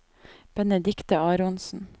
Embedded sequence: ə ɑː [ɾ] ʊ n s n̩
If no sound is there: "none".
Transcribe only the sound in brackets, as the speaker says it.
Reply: ɾ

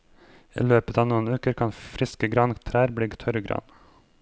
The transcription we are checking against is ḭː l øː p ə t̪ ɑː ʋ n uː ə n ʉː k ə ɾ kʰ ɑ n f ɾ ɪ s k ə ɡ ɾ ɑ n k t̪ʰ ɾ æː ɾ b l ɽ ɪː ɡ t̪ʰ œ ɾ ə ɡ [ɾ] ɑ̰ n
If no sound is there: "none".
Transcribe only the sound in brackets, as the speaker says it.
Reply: ɾ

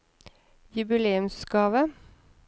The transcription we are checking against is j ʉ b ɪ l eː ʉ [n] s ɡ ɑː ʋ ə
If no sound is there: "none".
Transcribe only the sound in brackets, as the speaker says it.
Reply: m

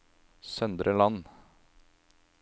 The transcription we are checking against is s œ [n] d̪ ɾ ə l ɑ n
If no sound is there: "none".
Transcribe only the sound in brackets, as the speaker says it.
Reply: n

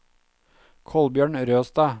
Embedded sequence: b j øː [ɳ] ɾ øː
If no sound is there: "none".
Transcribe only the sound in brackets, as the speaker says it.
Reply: ɳ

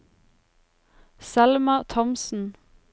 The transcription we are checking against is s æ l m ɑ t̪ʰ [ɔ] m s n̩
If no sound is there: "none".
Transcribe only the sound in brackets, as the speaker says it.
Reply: ɔ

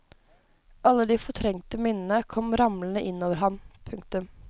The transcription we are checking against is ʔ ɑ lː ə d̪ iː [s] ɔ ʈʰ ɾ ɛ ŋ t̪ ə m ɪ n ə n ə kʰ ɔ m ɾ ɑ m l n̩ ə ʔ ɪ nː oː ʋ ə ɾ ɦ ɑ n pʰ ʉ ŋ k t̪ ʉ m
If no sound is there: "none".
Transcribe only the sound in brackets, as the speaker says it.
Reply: f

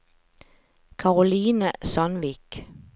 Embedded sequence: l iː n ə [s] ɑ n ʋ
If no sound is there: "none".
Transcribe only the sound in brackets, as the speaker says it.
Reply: s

